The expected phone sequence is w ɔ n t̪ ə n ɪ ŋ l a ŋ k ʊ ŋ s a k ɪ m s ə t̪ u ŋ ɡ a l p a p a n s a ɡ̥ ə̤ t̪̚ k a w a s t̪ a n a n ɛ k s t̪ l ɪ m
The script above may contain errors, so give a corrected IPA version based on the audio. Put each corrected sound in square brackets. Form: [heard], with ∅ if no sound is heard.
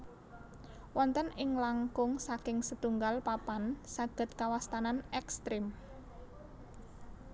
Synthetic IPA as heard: w ɔ n t̪ ə n ɪ ŋ l a ŋ k ʊ ŋ s a k ɪ [ŋ] s ə t̪ u ŋ ɡ a l p a p a n s a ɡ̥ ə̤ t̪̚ k a w a s t̪ a n a n ɛ k s t̪ [ɾ] ɪ m